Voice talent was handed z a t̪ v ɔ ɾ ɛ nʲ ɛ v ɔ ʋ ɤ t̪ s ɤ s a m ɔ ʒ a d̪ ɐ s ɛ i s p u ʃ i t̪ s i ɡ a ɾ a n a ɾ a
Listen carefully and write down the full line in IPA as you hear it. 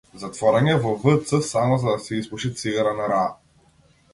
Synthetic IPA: z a t̪ v ɔ ɾ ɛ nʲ ɛ v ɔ v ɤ t̪ s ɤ s a m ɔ z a d̪ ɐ s ɛ i s p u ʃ i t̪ s i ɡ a ɾ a n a ɾ a